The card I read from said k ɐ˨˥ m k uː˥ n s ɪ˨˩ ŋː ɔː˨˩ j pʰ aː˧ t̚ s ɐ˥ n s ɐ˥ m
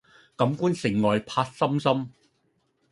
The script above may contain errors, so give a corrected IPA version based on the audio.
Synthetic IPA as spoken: k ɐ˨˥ m k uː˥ n s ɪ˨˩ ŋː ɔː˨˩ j pʰ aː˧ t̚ s ɐ˥ m s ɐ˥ m